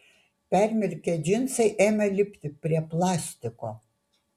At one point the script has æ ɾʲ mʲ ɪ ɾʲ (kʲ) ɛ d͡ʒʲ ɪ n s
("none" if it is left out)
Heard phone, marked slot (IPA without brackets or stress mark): kʲ